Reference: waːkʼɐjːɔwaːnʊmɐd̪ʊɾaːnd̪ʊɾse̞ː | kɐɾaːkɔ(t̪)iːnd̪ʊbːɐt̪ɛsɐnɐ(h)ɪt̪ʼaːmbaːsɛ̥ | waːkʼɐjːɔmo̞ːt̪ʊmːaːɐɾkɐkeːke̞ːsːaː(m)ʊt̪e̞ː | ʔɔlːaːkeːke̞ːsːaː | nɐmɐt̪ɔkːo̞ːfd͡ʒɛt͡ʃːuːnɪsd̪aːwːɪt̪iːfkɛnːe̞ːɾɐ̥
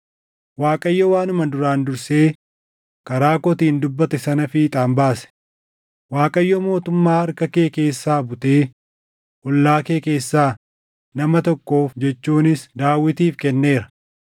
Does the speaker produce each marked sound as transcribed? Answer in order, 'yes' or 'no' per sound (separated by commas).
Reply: yes, no, no